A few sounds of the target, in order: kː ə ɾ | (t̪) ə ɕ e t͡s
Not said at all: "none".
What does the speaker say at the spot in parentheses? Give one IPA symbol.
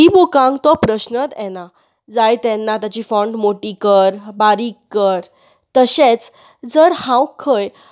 t̪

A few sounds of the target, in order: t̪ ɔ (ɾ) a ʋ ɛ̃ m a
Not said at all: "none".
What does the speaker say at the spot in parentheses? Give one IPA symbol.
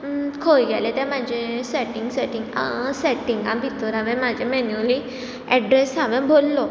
ɾ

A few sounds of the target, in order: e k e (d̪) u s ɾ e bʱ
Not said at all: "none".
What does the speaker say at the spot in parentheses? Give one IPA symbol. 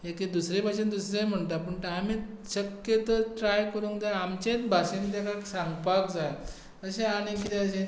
d̪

